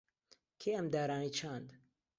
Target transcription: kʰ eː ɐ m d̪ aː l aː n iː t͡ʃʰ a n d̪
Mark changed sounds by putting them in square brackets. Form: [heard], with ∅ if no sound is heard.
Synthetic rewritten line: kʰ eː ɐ m d̪ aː [ɾ] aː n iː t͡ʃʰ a n d̪